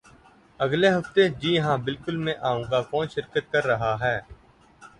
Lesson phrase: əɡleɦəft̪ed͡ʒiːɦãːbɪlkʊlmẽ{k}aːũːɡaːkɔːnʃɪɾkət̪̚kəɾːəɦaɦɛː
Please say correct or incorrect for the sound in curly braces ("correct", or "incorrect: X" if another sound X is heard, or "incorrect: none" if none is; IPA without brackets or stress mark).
incorrect: ʔ